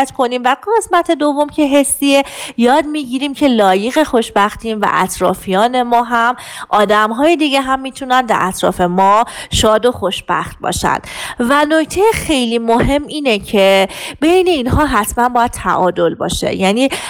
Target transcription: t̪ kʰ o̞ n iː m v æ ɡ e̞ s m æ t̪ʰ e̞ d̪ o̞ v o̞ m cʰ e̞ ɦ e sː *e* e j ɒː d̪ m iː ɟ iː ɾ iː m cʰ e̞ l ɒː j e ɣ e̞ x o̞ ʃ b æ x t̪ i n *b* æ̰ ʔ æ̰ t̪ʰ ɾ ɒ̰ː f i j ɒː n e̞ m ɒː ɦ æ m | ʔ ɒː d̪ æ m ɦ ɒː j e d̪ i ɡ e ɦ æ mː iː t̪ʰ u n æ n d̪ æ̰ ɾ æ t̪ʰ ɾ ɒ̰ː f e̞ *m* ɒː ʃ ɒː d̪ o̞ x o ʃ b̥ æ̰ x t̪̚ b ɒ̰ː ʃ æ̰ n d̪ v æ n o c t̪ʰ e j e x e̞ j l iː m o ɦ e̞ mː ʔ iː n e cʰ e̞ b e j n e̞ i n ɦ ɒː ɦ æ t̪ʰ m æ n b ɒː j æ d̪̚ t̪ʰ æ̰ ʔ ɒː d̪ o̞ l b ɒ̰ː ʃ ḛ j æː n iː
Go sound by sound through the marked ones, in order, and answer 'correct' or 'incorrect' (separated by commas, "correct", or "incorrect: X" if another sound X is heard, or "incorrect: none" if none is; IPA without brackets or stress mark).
incorrect: i, incorrect: v, correct